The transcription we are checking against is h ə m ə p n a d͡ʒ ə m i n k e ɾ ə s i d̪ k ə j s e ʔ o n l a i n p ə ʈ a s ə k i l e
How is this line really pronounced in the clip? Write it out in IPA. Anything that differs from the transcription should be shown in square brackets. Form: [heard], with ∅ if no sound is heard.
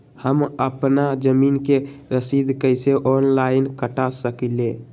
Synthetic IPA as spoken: h ə m ə p n a d͡ʒ ə m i n k e ɾ ə s i d̪ k ə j s e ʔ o n l a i n [k] ə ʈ a s ə k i l e